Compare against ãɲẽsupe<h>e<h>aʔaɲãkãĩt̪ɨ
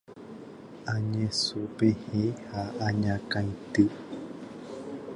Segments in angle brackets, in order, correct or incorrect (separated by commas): correct, correct